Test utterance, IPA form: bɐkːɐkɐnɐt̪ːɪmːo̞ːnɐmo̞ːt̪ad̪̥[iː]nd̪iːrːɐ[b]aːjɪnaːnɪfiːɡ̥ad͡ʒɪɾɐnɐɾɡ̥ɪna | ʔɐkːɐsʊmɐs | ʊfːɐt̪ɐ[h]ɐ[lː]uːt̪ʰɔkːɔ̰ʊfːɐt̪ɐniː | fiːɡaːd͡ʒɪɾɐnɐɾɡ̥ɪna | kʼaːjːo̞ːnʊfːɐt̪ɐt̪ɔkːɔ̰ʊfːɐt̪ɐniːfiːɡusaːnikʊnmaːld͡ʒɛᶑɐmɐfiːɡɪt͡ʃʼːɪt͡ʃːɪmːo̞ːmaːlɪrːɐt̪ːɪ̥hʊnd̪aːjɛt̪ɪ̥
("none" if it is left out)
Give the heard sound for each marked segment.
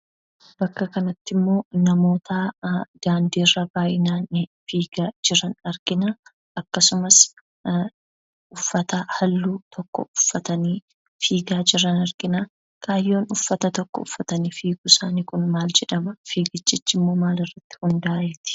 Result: aː, b, h, lː

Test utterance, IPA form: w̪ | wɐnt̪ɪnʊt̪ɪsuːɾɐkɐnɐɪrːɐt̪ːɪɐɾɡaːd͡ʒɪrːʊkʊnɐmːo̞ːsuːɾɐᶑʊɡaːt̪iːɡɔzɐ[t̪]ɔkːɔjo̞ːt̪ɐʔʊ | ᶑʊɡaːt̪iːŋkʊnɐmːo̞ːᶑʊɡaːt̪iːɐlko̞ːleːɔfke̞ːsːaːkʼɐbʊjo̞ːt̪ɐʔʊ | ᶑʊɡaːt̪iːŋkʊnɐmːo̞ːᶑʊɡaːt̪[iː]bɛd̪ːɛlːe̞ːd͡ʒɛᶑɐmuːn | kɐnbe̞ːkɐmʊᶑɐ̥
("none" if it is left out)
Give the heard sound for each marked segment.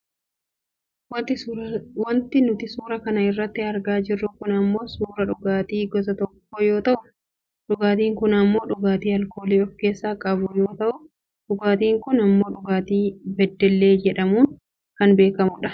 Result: t̪, iː

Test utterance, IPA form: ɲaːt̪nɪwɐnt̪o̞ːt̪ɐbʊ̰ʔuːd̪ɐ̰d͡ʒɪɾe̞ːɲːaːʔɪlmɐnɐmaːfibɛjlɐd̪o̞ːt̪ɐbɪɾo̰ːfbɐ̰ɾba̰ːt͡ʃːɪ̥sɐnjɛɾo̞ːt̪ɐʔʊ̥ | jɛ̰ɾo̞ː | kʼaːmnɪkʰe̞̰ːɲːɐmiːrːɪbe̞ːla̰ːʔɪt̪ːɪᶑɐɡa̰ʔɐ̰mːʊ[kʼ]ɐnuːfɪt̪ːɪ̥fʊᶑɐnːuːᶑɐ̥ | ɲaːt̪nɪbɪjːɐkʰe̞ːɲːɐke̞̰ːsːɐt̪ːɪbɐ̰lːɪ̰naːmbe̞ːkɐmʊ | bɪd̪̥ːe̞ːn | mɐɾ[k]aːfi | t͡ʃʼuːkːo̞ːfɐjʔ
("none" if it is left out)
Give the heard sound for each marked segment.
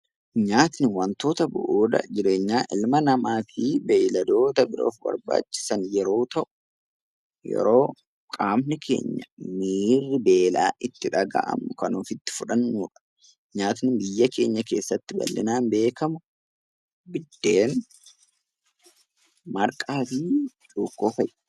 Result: k, kʼ

